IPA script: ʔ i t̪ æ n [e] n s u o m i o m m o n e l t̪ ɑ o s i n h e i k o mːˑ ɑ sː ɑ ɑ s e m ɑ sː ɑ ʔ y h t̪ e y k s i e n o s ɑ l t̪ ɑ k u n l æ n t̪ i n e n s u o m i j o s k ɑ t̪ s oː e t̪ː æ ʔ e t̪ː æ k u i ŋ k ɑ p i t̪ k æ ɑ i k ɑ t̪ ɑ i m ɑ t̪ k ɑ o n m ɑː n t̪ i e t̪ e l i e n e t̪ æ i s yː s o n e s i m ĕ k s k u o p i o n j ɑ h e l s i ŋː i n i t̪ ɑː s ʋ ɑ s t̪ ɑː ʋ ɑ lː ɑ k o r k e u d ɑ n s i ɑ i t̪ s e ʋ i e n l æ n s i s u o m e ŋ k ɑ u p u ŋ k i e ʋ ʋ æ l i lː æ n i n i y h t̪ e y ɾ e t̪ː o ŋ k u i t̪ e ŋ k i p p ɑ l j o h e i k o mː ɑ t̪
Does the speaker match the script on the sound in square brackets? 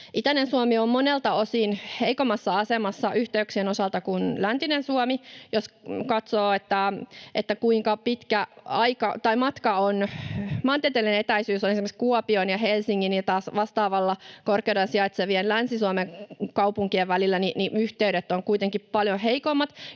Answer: yes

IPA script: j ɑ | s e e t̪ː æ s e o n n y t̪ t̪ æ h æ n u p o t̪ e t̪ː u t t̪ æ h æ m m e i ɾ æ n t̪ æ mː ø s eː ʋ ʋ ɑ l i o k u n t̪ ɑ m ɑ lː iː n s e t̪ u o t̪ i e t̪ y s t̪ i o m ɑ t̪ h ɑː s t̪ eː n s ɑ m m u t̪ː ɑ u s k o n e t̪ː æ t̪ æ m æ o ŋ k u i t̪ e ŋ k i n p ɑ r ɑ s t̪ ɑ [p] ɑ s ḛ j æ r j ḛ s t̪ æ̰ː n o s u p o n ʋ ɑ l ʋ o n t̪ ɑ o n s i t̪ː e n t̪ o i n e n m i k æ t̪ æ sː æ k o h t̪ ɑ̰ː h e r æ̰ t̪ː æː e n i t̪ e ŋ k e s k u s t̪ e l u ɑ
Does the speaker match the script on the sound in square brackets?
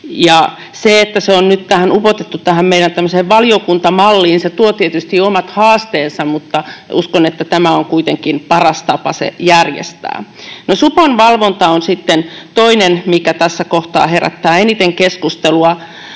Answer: yes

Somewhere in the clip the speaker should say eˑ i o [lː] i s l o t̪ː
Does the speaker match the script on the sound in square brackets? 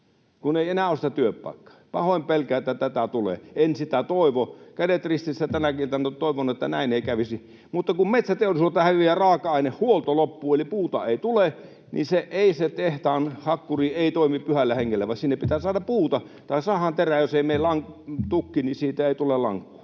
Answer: no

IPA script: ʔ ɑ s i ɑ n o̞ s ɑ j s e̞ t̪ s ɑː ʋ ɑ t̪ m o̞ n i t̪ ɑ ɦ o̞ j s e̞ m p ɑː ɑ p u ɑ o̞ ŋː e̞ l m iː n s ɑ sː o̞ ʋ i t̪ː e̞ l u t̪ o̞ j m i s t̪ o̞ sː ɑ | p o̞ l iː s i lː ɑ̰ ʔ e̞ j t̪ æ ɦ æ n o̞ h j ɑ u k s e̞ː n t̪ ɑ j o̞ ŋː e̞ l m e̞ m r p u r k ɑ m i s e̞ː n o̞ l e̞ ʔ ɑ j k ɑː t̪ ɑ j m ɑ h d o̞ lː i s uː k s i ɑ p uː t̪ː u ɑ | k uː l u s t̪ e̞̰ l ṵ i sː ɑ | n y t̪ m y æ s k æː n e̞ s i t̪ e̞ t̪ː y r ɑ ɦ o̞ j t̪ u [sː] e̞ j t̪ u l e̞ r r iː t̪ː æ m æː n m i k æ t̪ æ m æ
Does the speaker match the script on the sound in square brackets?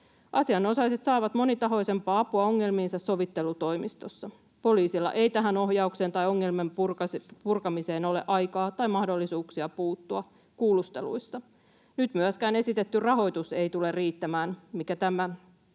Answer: no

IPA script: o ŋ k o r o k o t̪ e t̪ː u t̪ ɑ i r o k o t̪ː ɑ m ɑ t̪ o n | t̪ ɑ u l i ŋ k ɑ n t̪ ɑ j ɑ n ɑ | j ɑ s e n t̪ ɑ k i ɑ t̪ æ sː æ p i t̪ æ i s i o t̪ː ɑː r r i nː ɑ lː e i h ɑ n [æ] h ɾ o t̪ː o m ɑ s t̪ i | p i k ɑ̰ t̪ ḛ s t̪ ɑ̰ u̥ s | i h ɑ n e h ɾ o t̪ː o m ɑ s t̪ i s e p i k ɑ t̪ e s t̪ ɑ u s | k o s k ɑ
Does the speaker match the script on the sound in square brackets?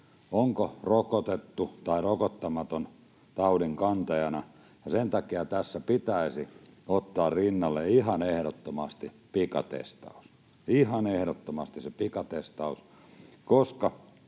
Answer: no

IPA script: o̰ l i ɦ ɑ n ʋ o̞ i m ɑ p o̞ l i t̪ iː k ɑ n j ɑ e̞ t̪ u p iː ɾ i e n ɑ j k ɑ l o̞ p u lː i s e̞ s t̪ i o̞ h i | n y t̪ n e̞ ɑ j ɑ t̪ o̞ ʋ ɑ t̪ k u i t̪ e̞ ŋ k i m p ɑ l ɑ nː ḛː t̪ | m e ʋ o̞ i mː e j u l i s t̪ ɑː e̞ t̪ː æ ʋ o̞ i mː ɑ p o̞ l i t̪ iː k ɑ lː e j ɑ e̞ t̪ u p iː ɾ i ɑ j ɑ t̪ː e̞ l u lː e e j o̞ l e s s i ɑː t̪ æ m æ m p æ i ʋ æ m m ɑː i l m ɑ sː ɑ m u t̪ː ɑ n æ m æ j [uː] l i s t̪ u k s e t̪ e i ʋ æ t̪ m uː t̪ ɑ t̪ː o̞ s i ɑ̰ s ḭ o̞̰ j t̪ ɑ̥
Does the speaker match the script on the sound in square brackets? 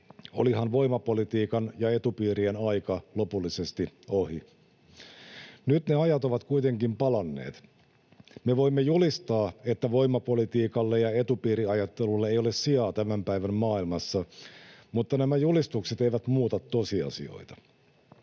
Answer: no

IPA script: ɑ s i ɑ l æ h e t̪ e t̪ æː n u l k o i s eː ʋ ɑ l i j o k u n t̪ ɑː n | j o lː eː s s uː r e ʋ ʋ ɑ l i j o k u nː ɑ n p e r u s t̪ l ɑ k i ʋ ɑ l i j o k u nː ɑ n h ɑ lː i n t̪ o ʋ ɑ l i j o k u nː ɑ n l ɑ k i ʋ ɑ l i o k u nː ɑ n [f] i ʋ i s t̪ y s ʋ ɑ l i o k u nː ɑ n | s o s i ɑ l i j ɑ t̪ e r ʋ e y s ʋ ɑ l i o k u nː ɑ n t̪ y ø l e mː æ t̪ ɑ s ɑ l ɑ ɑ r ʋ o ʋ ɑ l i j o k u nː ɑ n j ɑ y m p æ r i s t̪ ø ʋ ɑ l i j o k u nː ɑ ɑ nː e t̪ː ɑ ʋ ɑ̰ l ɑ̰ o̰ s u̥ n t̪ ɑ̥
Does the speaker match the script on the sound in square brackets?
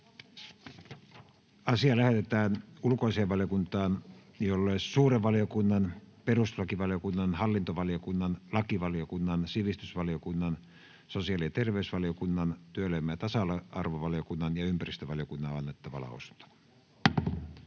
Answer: no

